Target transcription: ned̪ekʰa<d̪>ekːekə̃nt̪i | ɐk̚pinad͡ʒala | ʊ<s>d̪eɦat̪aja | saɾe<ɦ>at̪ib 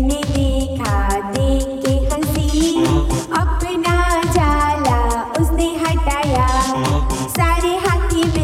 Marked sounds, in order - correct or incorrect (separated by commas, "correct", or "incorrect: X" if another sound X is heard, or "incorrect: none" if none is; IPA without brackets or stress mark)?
correct, correct, correct